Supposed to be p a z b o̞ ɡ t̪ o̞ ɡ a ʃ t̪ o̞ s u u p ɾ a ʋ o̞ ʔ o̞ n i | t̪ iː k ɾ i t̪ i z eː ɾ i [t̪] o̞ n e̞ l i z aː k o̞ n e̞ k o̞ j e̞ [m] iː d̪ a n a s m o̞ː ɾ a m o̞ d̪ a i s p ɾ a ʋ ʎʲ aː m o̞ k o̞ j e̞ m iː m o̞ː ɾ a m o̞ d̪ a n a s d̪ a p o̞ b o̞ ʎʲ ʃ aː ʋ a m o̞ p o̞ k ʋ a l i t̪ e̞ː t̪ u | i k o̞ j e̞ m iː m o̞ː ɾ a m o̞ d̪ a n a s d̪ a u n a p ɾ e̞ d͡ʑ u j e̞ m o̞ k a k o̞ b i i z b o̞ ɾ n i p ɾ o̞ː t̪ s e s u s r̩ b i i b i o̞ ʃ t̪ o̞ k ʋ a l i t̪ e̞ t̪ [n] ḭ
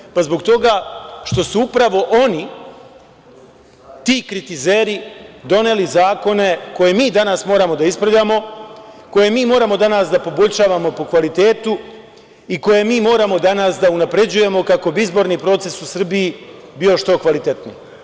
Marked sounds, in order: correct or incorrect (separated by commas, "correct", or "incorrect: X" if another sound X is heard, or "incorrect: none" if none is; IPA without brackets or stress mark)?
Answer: incorrect: d̪, correct, correct